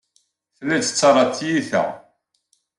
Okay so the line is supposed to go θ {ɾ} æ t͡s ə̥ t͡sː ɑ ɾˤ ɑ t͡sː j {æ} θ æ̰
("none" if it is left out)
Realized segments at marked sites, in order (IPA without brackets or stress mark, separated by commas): l, i